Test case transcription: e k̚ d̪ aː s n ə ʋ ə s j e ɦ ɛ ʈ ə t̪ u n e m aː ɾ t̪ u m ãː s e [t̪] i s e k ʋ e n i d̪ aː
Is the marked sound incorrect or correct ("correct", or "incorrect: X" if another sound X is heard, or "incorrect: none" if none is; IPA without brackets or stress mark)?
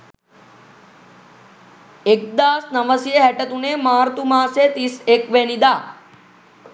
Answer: correct